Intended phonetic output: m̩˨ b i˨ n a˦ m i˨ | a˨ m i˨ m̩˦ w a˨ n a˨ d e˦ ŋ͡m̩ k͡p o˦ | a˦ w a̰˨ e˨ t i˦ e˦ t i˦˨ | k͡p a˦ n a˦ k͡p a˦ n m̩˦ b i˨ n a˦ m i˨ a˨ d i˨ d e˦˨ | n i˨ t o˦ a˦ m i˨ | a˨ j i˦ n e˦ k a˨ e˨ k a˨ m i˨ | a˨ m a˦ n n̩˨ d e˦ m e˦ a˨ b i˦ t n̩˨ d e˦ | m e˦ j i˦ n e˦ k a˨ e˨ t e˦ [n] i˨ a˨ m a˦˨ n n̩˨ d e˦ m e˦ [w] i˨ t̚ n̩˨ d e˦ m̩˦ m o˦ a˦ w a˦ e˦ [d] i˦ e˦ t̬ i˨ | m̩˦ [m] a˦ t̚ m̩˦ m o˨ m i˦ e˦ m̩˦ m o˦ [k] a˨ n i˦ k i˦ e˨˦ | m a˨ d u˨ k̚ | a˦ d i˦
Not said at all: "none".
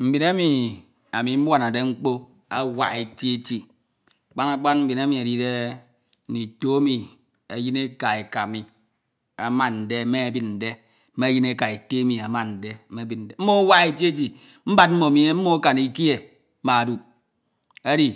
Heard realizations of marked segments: m, b, t, b, k

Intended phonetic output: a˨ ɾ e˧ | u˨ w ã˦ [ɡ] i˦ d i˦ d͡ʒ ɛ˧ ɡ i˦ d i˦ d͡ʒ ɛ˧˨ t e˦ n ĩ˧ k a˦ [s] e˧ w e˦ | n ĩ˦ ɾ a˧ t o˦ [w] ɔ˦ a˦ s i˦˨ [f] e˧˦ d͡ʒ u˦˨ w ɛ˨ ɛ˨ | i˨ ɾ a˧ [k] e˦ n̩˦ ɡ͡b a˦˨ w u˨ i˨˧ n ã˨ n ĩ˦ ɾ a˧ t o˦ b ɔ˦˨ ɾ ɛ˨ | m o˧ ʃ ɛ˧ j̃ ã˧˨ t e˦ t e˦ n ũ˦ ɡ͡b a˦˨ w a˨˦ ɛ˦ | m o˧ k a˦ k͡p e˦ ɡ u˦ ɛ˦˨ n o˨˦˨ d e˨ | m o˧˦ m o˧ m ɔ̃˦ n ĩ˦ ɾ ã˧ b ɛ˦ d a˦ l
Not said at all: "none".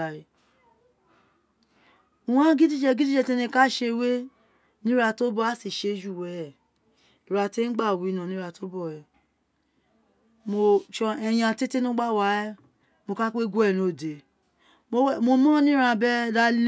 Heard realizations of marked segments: ɡ, ʃ, b, ʃ, t

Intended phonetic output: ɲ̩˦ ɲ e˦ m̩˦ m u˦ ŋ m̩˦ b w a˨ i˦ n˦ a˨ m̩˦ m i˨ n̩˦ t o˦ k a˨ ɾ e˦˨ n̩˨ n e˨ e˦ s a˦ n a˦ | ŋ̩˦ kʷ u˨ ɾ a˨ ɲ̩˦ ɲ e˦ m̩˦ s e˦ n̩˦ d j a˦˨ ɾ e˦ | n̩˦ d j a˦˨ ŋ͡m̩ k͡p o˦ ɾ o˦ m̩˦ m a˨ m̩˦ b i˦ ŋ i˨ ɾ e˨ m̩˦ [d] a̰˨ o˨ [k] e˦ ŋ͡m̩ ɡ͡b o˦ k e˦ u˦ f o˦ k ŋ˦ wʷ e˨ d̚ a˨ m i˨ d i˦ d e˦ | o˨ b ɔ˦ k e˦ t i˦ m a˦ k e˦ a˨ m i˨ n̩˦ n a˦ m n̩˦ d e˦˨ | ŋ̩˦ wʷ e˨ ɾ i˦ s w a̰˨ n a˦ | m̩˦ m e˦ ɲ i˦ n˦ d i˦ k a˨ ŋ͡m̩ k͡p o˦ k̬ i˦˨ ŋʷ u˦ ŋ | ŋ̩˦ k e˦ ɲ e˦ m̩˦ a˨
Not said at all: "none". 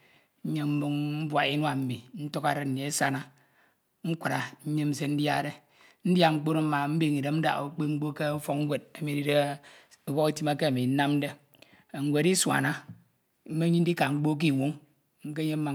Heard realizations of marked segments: d, k͡p

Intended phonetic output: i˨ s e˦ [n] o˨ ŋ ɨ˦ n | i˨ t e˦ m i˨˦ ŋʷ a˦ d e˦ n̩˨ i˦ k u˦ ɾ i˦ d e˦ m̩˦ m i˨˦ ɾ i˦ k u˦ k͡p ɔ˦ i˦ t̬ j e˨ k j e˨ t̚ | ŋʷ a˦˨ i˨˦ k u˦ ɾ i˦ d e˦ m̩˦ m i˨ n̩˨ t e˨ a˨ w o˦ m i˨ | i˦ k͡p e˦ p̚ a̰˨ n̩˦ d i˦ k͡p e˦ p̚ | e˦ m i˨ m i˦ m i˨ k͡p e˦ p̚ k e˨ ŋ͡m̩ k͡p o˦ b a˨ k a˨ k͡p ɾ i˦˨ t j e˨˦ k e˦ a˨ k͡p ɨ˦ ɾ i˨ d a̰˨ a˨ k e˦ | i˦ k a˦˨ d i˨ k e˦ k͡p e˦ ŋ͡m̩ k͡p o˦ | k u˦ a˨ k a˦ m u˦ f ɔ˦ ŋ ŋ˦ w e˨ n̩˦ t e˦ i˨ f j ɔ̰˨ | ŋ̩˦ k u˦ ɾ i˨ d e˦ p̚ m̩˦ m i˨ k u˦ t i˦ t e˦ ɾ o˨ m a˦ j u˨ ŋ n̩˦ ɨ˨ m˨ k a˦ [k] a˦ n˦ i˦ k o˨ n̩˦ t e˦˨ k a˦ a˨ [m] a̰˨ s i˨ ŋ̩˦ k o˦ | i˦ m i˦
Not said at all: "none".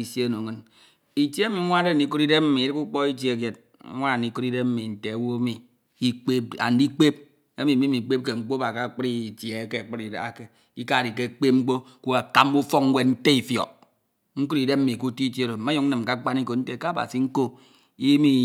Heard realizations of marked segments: n, k͡p, b

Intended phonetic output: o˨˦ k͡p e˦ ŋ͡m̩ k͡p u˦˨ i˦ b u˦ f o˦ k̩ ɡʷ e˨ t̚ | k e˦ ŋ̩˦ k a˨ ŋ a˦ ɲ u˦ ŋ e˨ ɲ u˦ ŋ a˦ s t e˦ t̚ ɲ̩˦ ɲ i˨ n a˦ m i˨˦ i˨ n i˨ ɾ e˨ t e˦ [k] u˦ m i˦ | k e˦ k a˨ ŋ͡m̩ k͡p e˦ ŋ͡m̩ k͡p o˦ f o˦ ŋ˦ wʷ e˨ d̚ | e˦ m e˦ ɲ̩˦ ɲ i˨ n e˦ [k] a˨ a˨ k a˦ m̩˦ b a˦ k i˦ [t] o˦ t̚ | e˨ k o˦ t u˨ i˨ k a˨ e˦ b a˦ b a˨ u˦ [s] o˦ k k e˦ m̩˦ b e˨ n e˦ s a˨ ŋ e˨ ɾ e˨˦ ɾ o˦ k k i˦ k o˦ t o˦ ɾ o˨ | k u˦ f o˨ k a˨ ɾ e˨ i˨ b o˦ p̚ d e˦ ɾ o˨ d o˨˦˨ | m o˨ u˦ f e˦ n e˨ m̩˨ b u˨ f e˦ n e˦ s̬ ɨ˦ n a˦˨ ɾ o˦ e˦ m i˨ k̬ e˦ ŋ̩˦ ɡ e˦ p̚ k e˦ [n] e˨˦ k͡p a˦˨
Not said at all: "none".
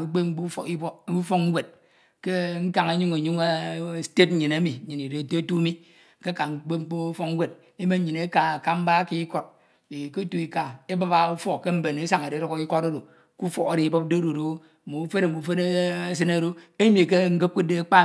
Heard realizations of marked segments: t, k, k, f, d

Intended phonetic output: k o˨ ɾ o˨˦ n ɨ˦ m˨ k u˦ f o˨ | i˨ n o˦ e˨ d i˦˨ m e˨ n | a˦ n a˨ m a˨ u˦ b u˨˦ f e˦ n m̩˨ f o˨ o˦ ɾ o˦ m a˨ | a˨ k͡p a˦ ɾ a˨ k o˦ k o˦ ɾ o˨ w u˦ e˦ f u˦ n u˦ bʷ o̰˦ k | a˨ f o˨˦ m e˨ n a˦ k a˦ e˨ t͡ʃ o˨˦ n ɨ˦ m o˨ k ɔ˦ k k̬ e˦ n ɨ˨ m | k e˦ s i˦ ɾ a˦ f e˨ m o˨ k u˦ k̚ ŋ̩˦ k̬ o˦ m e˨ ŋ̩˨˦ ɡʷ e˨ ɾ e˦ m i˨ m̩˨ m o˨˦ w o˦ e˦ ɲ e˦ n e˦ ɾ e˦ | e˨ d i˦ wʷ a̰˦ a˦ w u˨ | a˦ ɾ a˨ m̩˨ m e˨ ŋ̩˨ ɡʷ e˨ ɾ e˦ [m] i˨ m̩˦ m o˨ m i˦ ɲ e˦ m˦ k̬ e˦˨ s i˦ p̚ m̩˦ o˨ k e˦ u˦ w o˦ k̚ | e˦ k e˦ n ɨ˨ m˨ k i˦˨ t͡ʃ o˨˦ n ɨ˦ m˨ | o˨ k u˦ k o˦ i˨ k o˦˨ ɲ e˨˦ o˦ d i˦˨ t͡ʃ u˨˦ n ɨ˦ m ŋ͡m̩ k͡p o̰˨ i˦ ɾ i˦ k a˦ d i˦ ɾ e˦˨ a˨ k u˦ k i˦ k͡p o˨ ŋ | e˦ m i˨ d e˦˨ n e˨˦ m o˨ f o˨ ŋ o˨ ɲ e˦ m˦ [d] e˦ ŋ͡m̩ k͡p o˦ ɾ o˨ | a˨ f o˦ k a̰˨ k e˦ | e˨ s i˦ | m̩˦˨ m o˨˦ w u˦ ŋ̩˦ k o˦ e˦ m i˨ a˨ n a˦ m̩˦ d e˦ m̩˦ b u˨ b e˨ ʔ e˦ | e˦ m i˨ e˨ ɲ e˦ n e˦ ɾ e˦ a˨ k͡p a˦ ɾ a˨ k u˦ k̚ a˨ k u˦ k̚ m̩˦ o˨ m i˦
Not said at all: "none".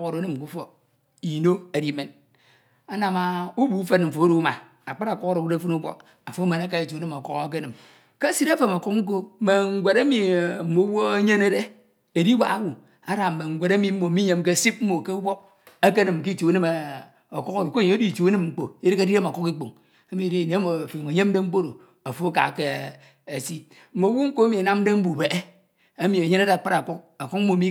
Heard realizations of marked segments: m, d

